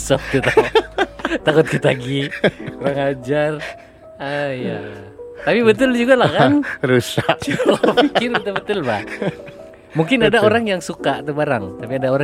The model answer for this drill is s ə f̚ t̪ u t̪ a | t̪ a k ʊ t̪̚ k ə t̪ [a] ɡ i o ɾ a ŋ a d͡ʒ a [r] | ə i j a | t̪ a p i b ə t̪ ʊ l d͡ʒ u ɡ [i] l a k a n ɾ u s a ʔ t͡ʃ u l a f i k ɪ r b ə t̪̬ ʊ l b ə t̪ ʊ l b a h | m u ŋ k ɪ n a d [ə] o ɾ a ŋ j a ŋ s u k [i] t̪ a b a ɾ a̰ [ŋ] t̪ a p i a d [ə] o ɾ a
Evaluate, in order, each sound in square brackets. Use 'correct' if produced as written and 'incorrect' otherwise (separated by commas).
correct, correct, incorrect, incorrect, incorrect, correct, incorrect